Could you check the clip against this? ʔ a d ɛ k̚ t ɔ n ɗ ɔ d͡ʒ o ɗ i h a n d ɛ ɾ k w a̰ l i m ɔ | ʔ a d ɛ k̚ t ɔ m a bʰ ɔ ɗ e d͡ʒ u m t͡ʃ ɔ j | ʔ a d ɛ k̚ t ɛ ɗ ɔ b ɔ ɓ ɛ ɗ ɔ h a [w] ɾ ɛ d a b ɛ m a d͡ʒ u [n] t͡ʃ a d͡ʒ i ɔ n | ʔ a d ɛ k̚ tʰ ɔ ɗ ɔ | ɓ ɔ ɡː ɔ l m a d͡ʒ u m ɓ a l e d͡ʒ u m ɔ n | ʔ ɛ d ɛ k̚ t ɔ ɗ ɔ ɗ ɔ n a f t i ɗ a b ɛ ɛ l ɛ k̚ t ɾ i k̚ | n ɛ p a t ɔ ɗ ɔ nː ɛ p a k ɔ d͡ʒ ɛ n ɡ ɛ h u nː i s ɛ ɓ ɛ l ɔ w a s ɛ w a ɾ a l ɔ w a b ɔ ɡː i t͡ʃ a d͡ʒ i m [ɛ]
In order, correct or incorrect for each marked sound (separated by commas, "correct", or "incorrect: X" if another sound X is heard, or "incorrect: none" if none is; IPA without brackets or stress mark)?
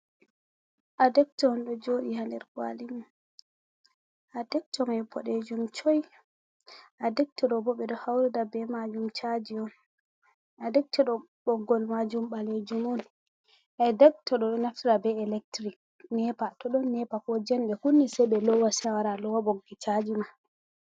correct, incorrect: m, incorrect: a